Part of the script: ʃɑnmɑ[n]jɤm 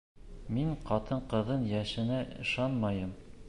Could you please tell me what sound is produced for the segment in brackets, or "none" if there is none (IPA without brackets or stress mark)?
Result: none